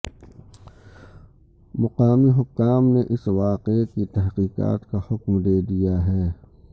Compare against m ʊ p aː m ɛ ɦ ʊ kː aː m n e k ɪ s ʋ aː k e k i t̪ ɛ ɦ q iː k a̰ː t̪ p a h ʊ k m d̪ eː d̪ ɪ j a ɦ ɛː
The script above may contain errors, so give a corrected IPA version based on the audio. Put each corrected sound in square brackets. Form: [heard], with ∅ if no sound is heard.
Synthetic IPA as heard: m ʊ [q] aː m [i] ɦ ʊ kː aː m n e [ʔ] ɪ s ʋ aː [q] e k i t̪ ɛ ɦ q iː [q] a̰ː t̪ [k] a h ʊ k m d̪ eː d̪ [i] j a ɦ ɛː